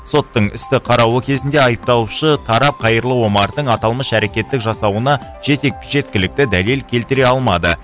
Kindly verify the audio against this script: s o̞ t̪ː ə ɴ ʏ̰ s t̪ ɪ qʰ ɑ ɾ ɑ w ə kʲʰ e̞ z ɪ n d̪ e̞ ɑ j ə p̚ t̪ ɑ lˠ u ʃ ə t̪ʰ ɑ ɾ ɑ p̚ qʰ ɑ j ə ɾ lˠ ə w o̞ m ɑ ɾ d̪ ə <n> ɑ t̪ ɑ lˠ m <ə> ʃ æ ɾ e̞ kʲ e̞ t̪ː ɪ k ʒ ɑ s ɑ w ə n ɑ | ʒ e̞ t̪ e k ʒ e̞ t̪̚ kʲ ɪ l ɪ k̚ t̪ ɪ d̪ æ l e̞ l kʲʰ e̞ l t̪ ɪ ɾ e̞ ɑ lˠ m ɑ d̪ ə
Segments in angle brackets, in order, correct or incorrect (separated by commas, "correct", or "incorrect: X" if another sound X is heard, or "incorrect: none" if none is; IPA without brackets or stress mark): incorrect: ɴ, correct